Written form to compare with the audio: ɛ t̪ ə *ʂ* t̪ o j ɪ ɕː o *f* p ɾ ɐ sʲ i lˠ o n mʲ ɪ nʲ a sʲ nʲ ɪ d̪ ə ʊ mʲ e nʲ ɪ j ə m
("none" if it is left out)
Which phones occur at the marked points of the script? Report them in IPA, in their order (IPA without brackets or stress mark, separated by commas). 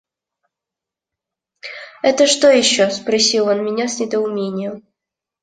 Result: ʂ, s